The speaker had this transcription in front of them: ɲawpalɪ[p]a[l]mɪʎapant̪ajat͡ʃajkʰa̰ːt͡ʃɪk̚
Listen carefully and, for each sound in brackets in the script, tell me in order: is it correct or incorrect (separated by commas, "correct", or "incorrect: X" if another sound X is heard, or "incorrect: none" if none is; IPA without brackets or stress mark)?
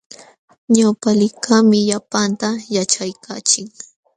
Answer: incorrect: k, incorrect: none